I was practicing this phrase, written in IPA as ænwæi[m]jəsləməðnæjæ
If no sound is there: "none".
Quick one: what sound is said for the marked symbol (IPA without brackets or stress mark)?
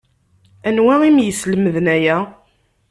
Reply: m